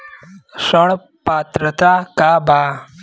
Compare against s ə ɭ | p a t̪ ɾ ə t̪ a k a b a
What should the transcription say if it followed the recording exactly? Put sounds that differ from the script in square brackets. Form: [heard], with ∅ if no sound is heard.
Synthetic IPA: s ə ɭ | p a t̪ ɾ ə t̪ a k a b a